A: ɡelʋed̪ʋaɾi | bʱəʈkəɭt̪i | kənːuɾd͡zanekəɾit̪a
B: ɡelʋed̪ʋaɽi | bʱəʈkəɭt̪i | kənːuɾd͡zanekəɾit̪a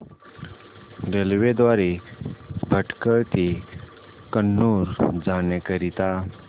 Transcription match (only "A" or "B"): A